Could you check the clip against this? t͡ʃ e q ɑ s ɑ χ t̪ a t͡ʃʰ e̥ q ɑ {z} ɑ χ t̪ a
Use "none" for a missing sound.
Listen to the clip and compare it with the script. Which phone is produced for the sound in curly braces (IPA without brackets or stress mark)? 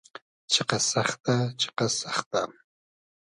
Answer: s